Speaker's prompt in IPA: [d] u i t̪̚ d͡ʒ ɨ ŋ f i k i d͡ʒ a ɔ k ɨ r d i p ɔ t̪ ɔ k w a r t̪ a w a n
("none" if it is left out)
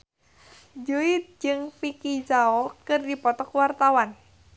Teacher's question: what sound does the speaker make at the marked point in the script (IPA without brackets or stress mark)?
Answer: d͡ʒ